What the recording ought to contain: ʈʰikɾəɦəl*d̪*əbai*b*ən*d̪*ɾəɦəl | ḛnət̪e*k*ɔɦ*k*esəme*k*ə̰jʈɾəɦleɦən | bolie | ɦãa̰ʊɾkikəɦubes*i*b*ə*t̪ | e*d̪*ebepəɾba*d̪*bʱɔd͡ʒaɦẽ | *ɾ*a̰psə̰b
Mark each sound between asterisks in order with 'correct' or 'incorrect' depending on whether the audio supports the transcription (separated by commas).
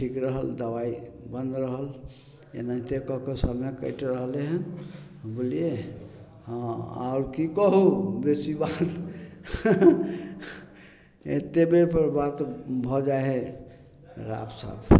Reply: correct, correct, correct, correct, correct, correct, correct, incorrect, incorrect, incorrect, correct